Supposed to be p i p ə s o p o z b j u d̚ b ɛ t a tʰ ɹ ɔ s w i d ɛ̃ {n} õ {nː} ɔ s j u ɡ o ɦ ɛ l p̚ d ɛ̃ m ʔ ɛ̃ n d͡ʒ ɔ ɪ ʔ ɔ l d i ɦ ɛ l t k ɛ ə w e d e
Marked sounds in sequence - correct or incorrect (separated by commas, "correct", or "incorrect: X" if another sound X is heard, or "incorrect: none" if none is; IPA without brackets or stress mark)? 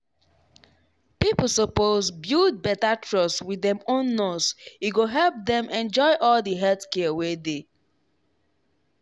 incorrect: m, correct